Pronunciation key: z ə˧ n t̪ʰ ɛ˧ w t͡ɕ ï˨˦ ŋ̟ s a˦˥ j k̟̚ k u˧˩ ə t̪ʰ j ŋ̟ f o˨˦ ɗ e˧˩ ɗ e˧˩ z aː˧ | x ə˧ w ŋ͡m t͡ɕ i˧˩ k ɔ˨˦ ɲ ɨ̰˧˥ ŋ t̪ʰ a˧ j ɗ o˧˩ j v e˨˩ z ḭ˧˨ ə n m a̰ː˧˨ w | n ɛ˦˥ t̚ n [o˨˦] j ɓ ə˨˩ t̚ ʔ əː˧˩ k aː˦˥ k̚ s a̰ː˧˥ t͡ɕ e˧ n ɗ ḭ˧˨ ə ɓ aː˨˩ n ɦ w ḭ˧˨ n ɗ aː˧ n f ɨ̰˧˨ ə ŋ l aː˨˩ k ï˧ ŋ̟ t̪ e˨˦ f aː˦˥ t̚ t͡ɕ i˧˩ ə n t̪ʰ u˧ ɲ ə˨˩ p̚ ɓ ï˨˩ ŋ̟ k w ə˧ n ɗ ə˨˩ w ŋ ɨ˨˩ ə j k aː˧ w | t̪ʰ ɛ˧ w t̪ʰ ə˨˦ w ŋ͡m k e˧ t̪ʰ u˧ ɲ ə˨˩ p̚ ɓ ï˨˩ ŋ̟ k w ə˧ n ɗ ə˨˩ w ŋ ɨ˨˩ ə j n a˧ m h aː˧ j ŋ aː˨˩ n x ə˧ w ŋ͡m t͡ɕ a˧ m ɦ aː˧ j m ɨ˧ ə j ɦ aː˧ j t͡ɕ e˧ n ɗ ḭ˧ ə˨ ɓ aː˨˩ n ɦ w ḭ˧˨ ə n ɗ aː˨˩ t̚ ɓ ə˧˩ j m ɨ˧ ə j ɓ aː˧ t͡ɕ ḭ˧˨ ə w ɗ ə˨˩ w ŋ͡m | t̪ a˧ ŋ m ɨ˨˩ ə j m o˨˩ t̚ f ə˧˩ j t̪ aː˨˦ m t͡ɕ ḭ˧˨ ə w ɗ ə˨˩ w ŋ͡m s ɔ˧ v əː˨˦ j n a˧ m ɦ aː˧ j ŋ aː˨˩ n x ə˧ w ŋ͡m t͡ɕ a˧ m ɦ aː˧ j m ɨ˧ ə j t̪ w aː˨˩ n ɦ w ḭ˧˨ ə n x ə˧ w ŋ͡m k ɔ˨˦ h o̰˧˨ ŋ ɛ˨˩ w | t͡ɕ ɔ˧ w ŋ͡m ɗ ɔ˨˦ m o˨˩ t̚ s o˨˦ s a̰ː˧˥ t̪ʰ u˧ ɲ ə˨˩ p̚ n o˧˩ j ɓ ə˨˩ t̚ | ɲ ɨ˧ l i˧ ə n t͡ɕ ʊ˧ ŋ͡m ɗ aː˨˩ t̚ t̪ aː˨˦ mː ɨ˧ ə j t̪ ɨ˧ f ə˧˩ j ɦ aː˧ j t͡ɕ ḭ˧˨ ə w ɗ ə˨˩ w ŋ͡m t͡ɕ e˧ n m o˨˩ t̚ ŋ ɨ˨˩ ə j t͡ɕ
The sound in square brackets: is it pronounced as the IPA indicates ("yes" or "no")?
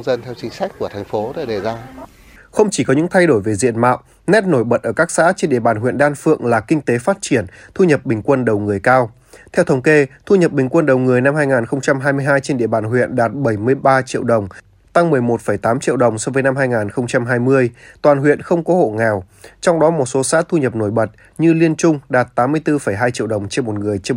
no